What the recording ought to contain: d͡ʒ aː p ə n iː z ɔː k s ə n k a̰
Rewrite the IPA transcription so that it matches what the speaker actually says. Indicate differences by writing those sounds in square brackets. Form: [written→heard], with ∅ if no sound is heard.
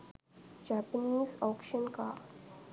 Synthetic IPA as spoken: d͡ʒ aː p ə n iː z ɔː k [s→ʃ] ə n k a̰

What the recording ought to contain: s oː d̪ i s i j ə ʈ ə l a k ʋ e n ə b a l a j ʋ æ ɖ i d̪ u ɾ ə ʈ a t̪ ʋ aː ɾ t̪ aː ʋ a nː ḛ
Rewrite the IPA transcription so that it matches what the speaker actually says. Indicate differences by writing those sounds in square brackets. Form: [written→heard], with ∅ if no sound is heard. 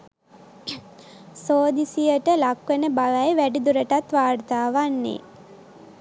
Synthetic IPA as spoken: s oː d̪ i s i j ə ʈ ə l a k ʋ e n ə b a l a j ʋ æ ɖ i d̪ u ɾ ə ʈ a t̪ ʋ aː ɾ t̪ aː ʋ a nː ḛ

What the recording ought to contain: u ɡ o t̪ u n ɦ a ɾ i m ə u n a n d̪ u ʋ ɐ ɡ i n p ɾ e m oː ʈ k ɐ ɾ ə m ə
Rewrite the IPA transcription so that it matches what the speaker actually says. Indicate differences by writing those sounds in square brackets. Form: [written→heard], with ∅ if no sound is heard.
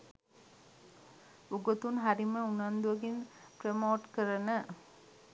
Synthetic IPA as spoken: u ɡ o t̪ u n ɦ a ɾ i m ə u n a n d̪ u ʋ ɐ ɡ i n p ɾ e m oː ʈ k [ɐ→ə] ɾ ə [m→n] ə

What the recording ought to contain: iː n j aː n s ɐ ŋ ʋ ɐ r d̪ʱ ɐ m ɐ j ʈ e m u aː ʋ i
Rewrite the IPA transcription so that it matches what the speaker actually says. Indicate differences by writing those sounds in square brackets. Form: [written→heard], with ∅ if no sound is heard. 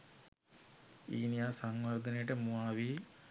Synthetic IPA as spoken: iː n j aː [n→∅] s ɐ ŋ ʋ ɐ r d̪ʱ ɐ [m→n] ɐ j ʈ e m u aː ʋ i

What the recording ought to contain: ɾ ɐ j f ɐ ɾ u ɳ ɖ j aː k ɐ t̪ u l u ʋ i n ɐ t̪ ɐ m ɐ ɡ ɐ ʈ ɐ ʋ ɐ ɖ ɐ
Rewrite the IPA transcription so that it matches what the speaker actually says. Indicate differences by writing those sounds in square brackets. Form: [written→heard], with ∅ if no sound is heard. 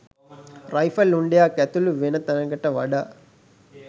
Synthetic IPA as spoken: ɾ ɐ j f ɐ [ɾ→l] u ɳ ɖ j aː k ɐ t̪ u l u ʋ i n ɐ t̪ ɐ [m→n] ɐ ɡ ɐ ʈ ɐ ʋ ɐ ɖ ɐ

